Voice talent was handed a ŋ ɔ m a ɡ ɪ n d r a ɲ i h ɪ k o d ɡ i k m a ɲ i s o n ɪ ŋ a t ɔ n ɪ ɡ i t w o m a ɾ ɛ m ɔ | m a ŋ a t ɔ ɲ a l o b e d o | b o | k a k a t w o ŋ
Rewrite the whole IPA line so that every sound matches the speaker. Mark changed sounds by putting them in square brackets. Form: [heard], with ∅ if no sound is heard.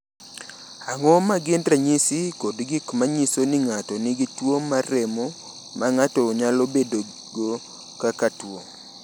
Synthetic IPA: a ŋ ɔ m a ɡ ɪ n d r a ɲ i [s] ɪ k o d ɡ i k m a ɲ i s o n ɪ ŋ a t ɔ n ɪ ɡ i t w o m a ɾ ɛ m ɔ | m a ŋ a t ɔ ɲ a l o b e d o | [ɡ] o | k a k a t w o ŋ